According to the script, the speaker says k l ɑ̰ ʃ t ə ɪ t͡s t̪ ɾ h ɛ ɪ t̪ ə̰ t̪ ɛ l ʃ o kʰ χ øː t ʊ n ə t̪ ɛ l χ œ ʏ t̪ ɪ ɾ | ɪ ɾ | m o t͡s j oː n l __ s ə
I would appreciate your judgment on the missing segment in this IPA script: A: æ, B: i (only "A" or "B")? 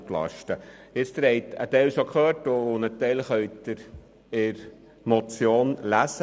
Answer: A